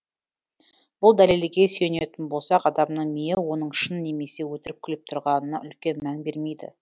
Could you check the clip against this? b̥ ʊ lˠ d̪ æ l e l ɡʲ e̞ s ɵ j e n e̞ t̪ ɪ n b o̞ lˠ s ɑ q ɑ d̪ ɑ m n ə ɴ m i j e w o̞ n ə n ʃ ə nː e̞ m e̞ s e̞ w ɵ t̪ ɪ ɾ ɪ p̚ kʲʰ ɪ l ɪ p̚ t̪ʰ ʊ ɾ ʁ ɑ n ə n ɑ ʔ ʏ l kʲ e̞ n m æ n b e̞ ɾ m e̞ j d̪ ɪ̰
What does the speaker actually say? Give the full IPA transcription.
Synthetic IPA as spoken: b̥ ʊ lˠ d̪ æ l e l ɡʲ e̞ s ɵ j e n e̞ t̪ ɪ n b o̞ lˠ s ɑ q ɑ d̪ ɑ m n ə ɴ m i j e w o̞ n ə ɴ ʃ ə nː e̞ m e̞ s e̞ w ɵ t̪ ɪ ɾ ɪ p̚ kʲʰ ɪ l ɪ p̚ t̪ʰ ʊ ɾ ʁ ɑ n ə n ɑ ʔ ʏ l kʲ e̞ n m æ n b e̞ ɾ m e̞ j d̪ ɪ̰